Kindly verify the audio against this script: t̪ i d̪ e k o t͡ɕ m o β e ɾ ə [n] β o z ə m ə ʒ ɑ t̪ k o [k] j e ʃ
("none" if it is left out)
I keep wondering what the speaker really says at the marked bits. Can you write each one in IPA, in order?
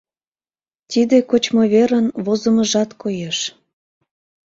n, none

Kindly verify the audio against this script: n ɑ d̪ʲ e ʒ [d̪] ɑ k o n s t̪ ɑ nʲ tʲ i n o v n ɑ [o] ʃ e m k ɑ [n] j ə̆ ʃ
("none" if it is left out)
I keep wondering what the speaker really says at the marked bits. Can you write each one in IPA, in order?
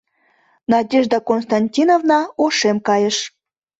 d̪, o, none

